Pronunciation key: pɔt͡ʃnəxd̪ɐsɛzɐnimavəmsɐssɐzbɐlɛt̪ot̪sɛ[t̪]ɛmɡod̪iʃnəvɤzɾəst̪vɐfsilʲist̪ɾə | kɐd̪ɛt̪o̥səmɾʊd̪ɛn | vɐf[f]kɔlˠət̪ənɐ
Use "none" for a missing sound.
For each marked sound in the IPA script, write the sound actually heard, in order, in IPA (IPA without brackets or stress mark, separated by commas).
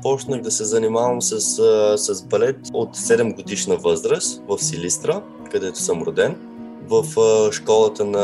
d̪, ʃ